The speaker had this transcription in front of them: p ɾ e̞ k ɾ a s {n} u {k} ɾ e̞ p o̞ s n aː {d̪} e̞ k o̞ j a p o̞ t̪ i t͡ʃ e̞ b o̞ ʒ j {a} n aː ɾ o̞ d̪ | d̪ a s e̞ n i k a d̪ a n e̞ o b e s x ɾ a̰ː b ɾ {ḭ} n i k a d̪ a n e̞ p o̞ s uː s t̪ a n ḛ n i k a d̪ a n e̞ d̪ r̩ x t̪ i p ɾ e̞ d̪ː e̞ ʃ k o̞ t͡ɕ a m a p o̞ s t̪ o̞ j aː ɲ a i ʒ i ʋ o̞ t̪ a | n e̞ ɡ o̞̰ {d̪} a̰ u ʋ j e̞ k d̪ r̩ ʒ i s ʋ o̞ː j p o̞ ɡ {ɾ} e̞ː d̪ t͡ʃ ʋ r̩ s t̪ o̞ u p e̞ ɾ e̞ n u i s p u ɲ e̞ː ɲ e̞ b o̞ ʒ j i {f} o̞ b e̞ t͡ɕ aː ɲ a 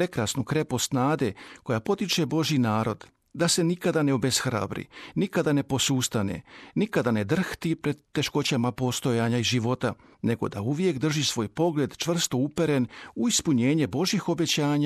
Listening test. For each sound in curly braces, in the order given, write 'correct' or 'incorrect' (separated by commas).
correct, correct, correct, incorrect, correct, correct, incorrect, incorrect